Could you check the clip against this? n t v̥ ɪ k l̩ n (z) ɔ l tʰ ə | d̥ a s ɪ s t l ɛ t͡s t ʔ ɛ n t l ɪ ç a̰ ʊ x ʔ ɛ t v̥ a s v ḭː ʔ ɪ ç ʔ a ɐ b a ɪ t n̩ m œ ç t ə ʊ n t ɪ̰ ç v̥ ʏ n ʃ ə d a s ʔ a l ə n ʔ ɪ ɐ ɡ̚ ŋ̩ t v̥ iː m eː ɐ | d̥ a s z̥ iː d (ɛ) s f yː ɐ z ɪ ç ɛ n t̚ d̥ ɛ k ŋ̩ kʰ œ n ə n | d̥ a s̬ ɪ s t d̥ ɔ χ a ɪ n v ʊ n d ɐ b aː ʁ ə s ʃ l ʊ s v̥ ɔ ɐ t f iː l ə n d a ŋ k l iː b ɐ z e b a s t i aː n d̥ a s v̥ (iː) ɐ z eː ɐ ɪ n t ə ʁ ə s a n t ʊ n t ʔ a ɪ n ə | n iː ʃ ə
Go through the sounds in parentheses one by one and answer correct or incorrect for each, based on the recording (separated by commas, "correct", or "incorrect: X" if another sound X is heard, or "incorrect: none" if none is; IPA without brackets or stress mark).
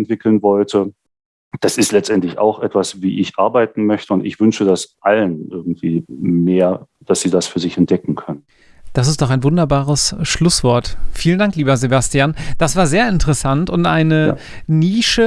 incorrect: v, incorrect: a, incorrect: aː